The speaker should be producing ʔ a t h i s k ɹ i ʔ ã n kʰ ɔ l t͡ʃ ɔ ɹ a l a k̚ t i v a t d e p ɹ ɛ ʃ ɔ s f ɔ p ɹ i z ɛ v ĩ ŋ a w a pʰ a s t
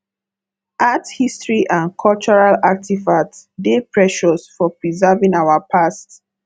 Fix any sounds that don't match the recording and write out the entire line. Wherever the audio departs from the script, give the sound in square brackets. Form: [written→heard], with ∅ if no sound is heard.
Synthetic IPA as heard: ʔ a t h i s [k→t] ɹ i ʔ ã n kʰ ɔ l t͡ʃ ɔ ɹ a l a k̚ t i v a t d e p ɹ ɛ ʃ ɔ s f ɔ p ɹ i z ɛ v ĩ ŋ a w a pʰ a s t